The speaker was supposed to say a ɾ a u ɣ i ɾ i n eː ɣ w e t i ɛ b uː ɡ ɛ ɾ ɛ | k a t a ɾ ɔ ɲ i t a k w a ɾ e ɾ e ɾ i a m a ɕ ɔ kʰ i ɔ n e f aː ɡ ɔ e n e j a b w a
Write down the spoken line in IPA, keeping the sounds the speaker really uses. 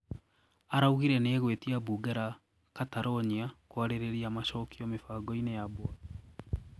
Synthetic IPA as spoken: a ɾ a u ɣ i ɾ ɛ n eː ɣ w e t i a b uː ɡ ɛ ɾ a | k a t a ɾ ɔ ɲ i a k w a ɾ e ɾ e ɾ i a m a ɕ ɔ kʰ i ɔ m e f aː ɡ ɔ i n e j a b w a